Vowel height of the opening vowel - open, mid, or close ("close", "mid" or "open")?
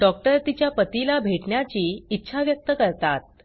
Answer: mid